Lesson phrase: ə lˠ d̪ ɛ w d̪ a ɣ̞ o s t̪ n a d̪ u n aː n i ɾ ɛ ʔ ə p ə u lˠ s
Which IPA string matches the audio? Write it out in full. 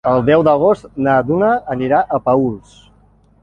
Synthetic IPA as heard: ə lˠ d̪ ɛ w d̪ ə ɣ̞ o s t̪ n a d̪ u n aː n i ɾ a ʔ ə p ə u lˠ s